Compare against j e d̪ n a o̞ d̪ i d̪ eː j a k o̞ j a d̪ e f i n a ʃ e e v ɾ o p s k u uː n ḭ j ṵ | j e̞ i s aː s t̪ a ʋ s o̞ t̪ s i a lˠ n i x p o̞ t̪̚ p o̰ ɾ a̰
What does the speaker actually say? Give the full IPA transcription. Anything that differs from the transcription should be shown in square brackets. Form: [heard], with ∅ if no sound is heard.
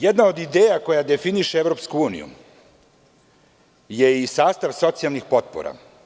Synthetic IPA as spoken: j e d̪ n a o̞ d̪ i d̪ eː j a k o̞ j a d̪ e f i n [i] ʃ e e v ɾ o p s k u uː n ḭ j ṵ | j e̞ i s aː s t̪ a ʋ s o̞ t̪ s i a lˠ n i x p o̞ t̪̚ p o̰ ɾ a̰